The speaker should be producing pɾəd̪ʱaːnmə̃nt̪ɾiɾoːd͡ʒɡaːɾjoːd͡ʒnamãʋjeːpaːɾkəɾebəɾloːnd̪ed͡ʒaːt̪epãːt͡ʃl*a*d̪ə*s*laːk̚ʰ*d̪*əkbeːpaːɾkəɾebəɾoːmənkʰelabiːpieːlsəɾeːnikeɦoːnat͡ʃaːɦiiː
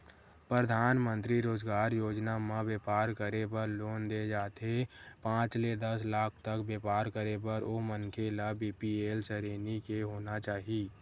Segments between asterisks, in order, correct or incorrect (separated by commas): incorrect, correct, incorrect